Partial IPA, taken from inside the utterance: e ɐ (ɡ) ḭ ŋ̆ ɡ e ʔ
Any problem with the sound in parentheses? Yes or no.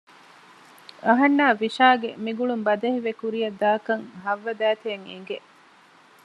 yes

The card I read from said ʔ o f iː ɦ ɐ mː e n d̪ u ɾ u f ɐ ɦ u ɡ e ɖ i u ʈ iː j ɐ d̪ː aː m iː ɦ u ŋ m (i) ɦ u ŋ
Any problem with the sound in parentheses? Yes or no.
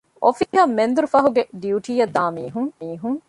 yes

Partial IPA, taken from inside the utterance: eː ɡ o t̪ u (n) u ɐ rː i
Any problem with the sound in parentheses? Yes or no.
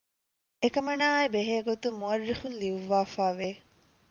yes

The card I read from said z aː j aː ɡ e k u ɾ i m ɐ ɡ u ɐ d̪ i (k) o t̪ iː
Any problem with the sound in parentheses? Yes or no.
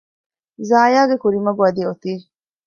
yes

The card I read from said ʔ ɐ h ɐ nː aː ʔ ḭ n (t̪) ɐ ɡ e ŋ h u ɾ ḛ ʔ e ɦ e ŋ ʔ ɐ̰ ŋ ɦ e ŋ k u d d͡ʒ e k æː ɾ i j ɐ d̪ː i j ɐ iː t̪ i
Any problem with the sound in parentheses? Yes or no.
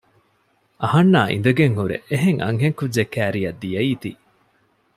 yes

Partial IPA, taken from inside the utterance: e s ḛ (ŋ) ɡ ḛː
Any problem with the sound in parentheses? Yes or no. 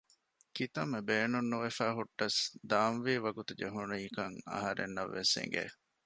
no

